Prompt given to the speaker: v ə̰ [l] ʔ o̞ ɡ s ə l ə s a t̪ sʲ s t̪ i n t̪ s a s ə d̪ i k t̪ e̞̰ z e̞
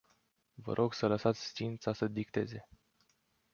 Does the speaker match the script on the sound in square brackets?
no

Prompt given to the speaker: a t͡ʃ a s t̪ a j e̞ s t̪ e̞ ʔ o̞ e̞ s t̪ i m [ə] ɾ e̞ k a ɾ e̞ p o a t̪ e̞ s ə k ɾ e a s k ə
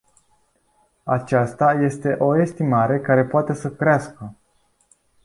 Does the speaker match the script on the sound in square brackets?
no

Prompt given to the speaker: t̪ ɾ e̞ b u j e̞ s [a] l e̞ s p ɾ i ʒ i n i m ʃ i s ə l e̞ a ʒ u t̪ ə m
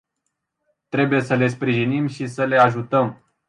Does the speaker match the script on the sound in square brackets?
no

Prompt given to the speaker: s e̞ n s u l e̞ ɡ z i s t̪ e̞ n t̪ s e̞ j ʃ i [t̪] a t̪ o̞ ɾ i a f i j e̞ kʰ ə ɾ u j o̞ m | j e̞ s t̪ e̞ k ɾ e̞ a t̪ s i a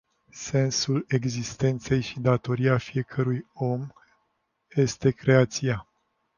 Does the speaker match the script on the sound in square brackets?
no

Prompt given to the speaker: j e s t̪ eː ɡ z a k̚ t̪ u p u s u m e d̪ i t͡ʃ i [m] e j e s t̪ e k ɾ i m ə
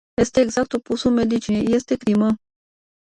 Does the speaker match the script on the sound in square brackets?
no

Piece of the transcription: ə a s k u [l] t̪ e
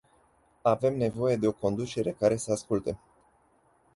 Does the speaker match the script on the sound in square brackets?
yes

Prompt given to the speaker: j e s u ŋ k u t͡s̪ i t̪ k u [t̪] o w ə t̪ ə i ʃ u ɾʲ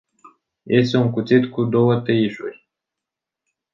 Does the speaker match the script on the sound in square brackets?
no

